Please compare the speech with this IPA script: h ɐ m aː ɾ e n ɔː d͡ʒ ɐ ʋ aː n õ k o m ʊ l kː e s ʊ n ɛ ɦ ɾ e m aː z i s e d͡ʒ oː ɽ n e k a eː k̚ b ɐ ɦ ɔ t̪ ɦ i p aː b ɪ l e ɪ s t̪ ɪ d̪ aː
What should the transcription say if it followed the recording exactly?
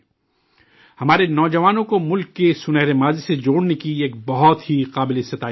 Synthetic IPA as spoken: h ɐ m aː ɾ e n ɔː d͡ʒ ɐ ʋ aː n õ k o m ʊ l kː e s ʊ n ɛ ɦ ɾ e m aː z i s e d͡ʒ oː ɽ n e k i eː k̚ b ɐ ɦ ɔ t̪ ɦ i q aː b ɪ l e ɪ s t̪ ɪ t̪ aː